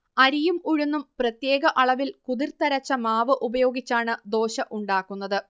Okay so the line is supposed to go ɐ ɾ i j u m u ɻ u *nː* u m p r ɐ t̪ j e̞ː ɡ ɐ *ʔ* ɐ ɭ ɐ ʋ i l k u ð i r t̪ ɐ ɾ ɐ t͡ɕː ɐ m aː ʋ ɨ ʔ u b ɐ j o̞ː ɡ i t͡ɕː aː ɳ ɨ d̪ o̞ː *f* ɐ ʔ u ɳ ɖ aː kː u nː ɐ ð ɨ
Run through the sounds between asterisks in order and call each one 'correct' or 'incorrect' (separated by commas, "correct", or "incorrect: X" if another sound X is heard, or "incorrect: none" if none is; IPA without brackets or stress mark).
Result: correct, correct, incorrect: ɕ